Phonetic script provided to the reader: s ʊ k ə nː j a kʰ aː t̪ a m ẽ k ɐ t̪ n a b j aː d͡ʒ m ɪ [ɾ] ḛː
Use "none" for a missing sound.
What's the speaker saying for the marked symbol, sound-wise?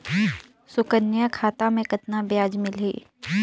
l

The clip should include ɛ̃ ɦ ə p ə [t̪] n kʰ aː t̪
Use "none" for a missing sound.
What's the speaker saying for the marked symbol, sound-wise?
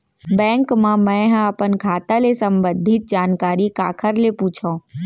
none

